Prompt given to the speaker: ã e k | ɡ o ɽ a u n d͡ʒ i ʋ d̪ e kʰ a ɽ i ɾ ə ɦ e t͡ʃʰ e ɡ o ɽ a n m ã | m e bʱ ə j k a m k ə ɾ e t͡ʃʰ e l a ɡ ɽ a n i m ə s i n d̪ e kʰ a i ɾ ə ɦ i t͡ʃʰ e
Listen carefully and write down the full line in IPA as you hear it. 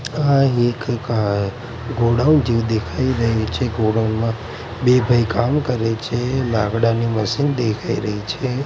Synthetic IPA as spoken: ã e k | ɡ o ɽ a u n d͡ʒ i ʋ d̪ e kʰ a i ɾ ə ɦ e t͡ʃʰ e ɡ o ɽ a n m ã | b e bʱ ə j k a m k ə ɾ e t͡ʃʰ e l a ɡ ɽ a n i m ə s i n d̪ e kʰ a i ɾ ə ɦ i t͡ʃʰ e